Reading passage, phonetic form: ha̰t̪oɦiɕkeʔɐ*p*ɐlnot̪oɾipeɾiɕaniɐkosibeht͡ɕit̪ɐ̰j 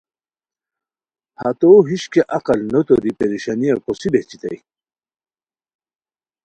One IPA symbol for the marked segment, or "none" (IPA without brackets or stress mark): q